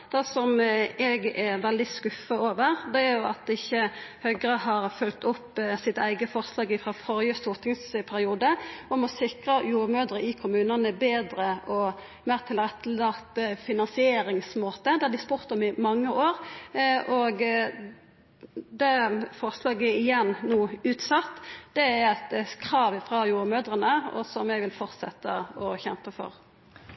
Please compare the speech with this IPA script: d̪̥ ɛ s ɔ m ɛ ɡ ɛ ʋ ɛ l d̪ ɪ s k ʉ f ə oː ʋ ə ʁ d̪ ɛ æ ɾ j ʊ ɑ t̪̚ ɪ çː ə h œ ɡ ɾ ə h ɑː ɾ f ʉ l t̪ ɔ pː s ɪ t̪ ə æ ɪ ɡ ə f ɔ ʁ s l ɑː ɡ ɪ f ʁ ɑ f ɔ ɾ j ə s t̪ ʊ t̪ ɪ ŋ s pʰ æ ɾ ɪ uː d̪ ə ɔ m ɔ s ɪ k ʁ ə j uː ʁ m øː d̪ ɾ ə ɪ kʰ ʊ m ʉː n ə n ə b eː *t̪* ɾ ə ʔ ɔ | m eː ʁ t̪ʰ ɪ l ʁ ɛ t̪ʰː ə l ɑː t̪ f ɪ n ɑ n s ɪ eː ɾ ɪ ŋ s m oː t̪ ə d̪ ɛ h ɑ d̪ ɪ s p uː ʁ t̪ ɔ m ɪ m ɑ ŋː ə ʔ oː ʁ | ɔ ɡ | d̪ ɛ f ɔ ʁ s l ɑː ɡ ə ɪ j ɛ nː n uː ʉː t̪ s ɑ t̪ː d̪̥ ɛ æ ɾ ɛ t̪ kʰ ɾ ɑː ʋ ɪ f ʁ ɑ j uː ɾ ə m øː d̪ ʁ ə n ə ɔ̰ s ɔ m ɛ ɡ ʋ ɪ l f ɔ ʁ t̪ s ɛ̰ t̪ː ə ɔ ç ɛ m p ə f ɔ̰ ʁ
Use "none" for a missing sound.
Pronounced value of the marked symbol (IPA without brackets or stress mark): d̪